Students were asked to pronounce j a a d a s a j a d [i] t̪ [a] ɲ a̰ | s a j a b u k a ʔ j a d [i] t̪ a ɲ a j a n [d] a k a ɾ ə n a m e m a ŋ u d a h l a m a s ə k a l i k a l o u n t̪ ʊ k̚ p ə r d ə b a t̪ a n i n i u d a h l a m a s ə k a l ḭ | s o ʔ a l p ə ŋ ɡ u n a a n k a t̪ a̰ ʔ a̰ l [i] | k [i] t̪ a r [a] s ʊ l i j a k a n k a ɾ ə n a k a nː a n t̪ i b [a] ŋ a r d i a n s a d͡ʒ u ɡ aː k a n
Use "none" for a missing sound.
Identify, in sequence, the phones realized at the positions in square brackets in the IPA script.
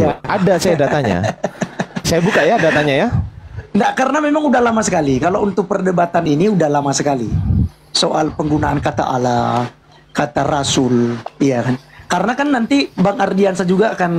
a, a, a, d, a, a, a, a

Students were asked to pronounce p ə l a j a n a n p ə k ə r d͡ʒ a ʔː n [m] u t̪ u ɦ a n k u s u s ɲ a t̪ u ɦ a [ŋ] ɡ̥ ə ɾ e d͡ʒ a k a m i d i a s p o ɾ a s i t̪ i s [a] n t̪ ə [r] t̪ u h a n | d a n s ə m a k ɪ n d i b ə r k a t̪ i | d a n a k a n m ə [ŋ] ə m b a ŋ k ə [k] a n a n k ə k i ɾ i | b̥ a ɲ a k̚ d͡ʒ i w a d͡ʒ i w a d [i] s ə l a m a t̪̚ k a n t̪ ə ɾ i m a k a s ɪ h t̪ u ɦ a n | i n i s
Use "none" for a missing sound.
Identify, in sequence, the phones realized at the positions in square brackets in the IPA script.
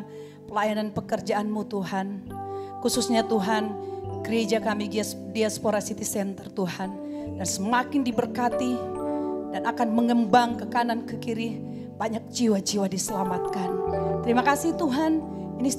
m, n, ɛ, r, ŋ, k, i

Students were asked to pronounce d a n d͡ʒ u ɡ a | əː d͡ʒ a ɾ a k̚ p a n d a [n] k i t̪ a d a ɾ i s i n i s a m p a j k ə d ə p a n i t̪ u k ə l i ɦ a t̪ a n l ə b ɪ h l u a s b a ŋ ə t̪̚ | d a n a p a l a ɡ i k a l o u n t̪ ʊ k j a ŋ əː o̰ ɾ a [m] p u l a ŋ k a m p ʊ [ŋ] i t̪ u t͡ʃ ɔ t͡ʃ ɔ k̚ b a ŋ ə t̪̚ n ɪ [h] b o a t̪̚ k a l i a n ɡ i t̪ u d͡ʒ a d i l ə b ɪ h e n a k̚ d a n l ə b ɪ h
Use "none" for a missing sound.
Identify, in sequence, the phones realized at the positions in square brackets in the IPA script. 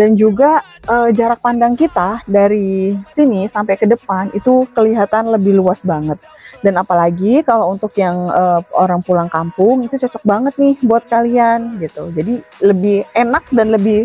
ŋ, ŋ, ŋ, h

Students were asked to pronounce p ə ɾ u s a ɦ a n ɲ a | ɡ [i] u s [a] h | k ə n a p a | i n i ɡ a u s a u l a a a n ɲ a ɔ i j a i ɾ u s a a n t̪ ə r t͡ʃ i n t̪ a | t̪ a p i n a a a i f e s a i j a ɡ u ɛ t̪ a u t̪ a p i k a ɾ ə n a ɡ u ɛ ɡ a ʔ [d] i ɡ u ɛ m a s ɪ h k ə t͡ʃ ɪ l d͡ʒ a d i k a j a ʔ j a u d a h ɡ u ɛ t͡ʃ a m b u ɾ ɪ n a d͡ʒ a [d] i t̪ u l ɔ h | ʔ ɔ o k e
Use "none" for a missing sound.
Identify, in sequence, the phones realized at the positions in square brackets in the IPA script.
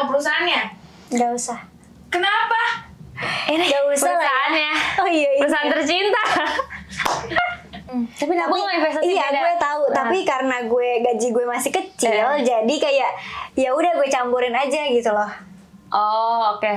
a, a, d͡ʒ, ɡ

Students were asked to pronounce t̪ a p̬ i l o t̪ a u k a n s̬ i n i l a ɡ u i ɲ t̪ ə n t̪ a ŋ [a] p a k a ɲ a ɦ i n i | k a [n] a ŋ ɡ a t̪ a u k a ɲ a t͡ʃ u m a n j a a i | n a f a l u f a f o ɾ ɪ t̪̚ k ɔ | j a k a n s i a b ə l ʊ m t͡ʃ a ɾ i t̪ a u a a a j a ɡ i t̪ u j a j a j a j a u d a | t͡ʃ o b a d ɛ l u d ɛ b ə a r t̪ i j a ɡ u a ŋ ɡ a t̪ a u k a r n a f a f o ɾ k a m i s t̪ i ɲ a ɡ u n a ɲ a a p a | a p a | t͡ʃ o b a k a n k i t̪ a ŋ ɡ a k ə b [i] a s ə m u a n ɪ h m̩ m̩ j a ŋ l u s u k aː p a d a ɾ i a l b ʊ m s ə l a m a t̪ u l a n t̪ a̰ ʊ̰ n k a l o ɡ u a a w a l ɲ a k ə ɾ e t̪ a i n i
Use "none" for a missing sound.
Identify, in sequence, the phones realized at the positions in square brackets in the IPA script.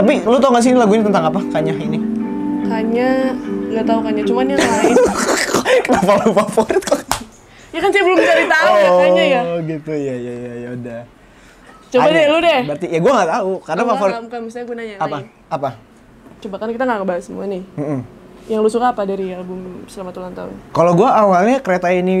a, ɲ, a

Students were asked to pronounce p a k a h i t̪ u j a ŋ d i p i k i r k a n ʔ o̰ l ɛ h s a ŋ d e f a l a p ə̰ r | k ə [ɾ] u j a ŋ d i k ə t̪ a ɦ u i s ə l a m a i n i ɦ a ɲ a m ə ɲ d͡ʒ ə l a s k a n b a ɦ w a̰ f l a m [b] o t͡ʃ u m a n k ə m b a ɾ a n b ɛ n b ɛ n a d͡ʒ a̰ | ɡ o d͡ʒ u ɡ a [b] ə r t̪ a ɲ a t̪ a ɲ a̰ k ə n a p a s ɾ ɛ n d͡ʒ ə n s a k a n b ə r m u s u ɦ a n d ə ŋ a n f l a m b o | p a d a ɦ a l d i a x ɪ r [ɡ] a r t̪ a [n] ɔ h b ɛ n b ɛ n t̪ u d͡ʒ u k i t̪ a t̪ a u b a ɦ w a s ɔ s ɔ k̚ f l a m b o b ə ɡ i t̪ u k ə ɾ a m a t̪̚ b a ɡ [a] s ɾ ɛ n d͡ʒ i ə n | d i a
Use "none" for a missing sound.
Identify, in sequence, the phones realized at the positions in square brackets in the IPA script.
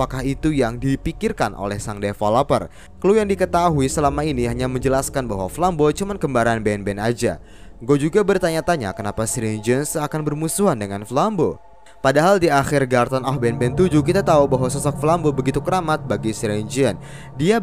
l, b, b, ɡ, n, i

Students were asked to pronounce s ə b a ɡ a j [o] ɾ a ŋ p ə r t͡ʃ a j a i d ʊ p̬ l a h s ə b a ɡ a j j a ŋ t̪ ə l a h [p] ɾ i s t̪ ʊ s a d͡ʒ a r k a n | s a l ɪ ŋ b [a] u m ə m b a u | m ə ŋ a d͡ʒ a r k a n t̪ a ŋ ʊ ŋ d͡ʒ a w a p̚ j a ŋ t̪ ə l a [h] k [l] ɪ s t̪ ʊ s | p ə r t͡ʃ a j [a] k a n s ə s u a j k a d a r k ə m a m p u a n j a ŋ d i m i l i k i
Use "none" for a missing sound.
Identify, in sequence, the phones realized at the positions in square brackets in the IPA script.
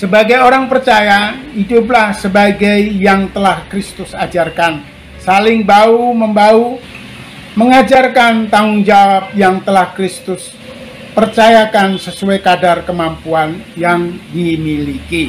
o, k, a, h, ɾ, a

